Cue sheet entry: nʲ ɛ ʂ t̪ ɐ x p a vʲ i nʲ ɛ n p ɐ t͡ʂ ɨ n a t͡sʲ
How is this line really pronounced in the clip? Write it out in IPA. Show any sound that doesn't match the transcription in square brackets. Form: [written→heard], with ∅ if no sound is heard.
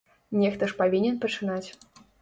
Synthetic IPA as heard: nʲ ɛ [ʂ→x] t̪ ɐ [x→ʂ] p a vʲ i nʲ ɛ n p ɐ t͡ʂ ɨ n a t͡sʲ